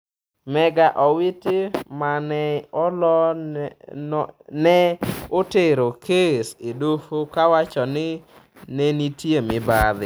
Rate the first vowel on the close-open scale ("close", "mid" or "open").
mid